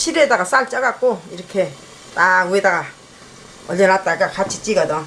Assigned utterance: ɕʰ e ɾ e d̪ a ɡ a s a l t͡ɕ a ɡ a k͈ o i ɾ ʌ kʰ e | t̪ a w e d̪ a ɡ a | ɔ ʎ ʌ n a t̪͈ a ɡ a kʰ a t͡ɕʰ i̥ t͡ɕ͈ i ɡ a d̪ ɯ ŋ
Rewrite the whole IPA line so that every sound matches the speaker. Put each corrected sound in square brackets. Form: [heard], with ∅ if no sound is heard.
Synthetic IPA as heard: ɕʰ [i] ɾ e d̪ a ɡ a s a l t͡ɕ a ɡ a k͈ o i ɾ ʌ kʰ e | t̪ a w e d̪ a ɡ a | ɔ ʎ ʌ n a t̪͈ a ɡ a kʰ a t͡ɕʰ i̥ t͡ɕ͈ i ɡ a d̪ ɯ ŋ